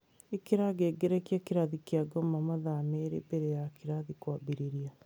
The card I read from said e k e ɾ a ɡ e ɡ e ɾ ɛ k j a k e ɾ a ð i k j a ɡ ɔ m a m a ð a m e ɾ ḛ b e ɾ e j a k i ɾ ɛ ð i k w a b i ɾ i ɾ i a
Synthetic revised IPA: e k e ɾ a ɡ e ɡ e ɾ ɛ k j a k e ɾ a ð i k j a ɡ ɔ m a m a ð a m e ɾ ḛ b e ɾ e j a k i ɾ a ð i k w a b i ɾ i ɾ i a